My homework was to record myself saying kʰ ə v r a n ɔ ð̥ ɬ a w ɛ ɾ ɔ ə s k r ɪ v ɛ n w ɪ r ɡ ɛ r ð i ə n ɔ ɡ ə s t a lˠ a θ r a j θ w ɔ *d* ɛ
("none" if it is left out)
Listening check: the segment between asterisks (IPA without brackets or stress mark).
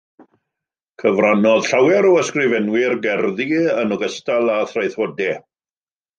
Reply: d